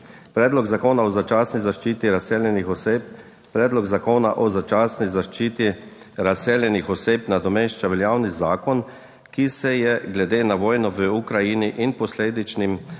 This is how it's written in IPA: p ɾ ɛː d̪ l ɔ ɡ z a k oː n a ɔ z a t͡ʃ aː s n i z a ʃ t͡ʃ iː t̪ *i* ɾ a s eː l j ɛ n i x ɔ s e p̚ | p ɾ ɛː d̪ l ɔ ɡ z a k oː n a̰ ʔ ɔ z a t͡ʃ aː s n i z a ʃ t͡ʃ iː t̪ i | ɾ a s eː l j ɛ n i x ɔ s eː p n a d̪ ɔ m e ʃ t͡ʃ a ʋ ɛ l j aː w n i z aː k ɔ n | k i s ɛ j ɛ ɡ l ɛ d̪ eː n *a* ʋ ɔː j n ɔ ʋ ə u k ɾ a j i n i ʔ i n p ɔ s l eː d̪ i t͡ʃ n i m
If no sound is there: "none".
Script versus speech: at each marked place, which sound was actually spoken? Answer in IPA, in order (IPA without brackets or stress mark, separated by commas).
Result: i, a